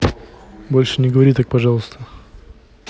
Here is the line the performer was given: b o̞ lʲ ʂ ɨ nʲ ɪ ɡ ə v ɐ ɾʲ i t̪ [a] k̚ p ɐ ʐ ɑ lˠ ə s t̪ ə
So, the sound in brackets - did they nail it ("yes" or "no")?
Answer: yes